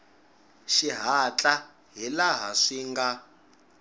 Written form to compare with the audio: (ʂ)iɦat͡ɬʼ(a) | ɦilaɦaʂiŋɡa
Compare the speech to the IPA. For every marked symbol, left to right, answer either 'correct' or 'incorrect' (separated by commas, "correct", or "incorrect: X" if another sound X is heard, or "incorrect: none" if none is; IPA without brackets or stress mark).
incorrect: ʃ, correct